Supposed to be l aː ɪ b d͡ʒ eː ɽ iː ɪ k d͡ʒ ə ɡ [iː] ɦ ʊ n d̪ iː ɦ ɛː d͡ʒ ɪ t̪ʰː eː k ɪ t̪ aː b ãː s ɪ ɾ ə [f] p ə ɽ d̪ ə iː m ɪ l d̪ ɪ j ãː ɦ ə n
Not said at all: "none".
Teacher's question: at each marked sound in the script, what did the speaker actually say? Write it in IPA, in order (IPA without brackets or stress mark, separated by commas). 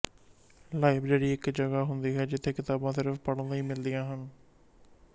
aː, f